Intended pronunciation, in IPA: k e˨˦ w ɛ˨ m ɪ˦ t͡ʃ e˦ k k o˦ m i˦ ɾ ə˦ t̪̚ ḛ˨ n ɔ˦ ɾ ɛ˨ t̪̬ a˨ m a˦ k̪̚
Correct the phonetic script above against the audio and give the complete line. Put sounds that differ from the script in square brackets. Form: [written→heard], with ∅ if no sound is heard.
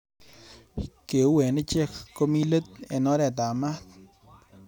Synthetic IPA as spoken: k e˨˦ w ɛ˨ [m→n] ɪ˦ t͡ʃ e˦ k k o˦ m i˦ [ɾ→l] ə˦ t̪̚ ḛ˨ n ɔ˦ ɾ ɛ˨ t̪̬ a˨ m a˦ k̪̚